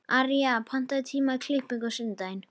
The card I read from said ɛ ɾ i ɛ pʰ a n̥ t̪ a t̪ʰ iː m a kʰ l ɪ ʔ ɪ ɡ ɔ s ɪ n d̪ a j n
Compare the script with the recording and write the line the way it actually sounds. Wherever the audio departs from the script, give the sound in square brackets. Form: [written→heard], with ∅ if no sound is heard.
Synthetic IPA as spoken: [ɛ→a] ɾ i [ɛ→a] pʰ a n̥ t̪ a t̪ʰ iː m a kʰ l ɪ [ʔ→p] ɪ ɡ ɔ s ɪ n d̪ a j n